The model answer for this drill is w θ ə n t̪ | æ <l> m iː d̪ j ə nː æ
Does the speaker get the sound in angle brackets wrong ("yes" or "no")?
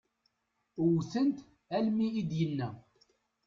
no